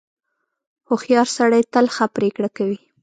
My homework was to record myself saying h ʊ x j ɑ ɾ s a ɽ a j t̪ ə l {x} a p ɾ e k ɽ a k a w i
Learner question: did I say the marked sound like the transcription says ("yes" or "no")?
yes